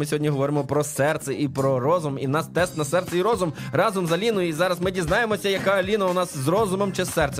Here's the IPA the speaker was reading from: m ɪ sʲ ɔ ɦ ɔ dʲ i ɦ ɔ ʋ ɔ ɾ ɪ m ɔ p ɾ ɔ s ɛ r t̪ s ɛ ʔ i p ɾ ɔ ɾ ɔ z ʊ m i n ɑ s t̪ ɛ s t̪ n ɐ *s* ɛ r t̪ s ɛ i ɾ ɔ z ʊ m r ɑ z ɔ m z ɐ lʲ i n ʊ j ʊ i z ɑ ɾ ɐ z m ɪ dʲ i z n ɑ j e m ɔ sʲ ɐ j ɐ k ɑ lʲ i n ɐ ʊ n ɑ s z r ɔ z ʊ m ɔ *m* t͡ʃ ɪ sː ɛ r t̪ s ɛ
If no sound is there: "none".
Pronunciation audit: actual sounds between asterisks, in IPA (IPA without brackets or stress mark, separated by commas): s, m